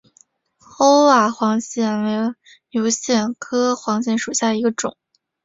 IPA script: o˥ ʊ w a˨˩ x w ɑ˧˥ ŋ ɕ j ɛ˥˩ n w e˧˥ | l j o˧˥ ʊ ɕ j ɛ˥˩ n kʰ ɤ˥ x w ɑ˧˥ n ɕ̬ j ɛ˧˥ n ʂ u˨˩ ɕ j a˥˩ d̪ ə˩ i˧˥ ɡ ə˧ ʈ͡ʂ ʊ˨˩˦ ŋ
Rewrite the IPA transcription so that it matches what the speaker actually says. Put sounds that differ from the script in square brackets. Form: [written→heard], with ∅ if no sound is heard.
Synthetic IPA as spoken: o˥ ʊ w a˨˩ x w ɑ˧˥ ŋ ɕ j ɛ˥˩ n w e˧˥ | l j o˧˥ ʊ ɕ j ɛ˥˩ n kʰ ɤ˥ x w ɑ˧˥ [n→ŋ] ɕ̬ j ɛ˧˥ n ʂ u˨˩ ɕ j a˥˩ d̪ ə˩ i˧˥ ɡ ə˧ ʈ͡ʂ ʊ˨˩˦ ŋ